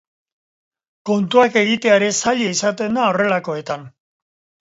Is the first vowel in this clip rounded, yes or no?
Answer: yes